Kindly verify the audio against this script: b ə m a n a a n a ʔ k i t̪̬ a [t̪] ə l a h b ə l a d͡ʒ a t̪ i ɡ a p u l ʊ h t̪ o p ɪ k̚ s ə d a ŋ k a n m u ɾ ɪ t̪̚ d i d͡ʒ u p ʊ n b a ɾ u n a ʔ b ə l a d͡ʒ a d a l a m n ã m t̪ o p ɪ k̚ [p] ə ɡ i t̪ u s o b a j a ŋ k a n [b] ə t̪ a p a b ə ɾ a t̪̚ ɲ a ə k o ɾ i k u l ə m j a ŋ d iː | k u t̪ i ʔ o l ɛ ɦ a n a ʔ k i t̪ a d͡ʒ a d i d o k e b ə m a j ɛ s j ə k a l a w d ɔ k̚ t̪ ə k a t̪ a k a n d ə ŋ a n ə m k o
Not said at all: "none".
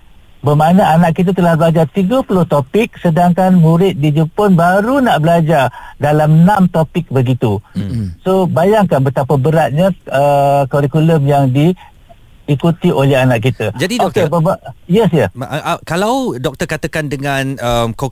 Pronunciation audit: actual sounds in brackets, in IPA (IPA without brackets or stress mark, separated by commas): t̪, b, b